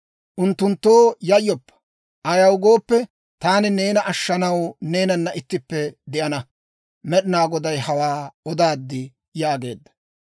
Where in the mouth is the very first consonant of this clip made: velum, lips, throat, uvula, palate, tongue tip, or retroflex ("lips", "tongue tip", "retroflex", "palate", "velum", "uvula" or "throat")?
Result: throat